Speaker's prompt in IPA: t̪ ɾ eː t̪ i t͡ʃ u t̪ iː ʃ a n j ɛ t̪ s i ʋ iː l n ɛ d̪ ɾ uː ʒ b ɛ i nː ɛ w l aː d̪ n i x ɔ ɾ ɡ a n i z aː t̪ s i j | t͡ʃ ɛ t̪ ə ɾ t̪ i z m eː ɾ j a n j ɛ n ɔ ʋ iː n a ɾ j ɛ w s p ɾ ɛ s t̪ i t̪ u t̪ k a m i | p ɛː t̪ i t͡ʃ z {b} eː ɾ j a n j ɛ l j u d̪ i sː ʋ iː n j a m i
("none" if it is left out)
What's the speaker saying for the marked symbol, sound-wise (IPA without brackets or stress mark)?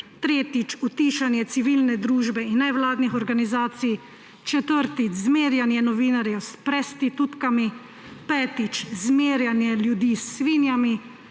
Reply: m